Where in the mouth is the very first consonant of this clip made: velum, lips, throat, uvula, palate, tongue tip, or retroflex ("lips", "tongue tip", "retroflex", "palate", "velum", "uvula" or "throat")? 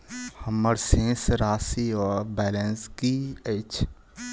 throat